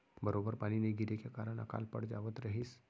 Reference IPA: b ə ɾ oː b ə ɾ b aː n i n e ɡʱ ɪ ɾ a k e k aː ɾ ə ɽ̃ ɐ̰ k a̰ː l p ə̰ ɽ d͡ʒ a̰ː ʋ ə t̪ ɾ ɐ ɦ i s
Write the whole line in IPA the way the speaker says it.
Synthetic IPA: b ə ɾ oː b ə ɾ p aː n i n e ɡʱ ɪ ɾ e k e k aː ɾ ə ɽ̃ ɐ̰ k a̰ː l p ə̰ ɽ d͡ʒ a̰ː ʋ ə t̪ ɾ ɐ ɦ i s

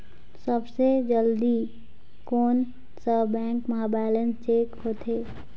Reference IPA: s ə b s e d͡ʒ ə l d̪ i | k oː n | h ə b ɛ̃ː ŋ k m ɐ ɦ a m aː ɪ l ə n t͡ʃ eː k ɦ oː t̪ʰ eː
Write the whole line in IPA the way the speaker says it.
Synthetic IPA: s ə b s e d͡ʒ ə l d̪ i | k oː n | s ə b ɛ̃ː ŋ k m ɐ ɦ a b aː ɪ l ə n t͡ʃ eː k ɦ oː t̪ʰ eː

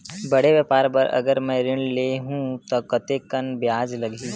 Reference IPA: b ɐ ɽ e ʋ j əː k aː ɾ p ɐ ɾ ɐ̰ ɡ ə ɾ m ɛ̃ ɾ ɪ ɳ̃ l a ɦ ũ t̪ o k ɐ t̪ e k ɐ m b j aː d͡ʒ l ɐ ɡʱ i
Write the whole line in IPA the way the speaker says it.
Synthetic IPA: b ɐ ɽ e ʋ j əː p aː ɾ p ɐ ɾ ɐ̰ ɡ ə ɾ m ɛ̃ ɾ ɪ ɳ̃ l e ɦ ũ t̪ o k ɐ t̪ e k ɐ n b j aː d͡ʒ l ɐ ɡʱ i

